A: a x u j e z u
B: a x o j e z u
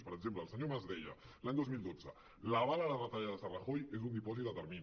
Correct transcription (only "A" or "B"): B